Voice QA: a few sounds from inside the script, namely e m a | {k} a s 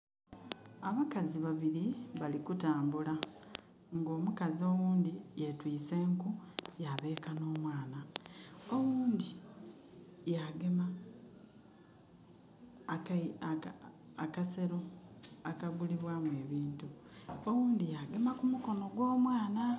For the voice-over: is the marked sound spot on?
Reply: yes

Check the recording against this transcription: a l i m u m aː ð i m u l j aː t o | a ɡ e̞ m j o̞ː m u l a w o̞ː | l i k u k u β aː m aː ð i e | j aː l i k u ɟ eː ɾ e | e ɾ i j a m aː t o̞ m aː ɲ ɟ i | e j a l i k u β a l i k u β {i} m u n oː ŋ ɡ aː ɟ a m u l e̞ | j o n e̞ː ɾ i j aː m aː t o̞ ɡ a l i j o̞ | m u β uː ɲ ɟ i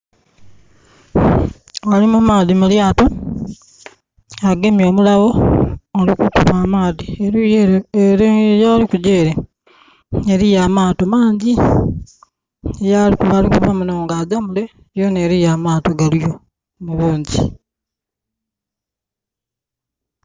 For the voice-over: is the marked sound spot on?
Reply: no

